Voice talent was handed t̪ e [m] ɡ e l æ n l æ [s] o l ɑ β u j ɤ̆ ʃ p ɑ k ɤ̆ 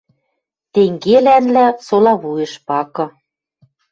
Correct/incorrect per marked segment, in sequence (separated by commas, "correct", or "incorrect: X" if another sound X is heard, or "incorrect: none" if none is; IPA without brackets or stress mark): incorrect: ŋ, correct